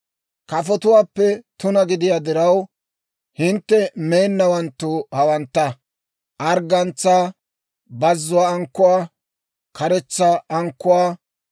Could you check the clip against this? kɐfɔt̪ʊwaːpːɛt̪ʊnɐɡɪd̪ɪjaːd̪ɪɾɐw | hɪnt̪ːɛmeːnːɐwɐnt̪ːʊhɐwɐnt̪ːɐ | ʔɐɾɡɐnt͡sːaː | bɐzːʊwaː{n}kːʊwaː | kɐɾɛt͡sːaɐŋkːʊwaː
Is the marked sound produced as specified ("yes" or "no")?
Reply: no